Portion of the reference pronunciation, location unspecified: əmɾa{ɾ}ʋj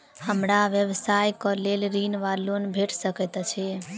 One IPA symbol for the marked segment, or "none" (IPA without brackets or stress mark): none